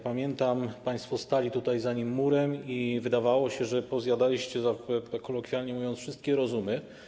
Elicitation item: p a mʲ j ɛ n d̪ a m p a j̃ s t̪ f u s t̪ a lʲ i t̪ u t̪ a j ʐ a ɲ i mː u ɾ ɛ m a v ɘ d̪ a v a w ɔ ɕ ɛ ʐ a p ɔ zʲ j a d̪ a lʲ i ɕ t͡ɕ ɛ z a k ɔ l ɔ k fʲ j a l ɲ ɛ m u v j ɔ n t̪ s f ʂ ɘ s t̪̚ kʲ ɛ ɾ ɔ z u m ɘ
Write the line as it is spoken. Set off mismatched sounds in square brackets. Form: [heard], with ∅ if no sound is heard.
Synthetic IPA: p a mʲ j ɛ n [t̪] a m p a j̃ s t̪ f [ɔ] s t̪ a lʲ i t̪ u t̪ a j [z] a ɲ i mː u ɾ ɛ m [i] v ɘ d̪ a v a w ɔ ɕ ɛ ʐ [ɛ] p ɔ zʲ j a d̪ a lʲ i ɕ t͡ɕ ɛ z a k ɔ l ɔ k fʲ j a l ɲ ɛ m u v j ɔ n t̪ s f ʂ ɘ s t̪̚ kʲ ɛ ɾ ɔ z u m ɘ